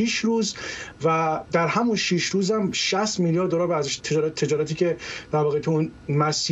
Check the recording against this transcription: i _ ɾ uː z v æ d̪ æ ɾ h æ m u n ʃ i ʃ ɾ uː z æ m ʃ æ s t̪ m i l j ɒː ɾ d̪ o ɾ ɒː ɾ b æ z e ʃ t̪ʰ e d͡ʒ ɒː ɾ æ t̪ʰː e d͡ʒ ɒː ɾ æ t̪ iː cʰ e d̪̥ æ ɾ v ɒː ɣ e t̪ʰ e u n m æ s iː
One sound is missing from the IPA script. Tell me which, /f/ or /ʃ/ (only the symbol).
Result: ʃ